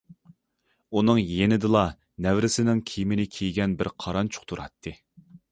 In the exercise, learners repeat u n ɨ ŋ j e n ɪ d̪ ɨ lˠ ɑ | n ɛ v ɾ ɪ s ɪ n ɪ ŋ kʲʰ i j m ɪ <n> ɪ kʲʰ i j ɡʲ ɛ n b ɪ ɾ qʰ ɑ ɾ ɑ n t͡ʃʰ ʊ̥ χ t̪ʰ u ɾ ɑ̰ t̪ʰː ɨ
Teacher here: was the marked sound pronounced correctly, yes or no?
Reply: yes